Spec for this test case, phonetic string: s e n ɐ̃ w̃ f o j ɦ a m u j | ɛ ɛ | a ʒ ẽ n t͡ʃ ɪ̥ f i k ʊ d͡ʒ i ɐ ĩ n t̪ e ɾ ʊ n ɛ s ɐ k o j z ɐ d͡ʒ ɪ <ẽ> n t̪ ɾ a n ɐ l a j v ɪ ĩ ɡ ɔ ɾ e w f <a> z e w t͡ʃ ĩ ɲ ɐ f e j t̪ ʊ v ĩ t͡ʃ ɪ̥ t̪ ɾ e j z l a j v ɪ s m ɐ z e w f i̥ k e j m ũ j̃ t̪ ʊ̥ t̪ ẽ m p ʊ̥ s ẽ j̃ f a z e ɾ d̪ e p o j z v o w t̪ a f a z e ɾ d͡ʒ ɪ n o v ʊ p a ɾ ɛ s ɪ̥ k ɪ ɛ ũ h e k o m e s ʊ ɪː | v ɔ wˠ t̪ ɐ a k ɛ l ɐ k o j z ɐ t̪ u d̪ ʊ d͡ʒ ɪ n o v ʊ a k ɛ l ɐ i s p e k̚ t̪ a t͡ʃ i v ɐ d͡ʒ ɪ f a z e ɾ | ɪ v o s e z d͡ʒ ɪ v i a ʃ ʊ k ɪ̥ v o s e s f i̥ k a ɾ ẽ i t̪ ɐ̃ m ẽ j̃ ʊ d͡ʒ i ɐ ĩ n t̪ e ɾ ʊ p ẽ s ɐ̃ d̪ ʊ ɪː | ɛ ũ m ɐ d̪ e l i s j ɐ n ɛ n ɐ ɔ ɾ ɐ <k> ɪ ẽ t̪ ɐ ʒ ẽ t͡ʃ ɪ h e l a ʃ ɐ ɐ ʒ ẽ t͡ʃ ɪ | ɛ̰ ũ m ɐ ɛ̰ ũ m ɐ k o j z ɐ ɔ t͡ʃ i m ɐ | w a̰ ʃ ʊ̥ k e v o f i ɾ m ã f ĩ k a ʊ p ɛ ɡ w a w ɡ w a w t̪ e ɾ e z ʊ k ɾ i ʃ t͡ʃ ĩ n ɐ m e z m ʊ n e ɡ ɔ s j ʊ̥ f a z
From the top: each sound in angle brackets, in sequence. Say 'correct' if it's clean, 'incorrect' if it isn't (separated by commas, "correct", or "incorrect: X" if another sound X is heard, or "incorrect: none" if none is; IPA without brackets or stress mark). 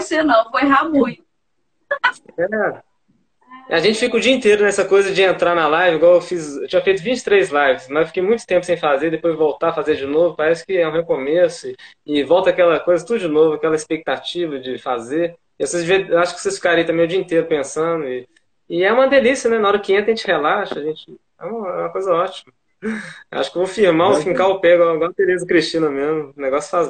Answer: correct, incorrect: i, correct